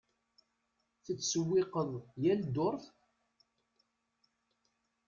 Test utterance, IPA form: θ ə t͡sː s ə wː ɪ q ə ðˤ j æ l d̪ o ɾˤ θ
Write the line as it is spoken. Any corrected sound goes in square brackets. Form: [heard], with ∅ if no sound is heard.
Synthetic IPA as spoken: θ ə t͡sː s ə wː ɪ q ə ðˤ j æ l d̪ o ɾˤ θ